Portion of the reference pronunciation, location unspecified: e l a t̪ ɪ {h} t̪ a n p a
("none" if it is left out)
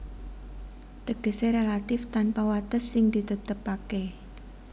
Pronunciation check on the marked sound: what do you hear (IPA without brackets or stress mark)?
f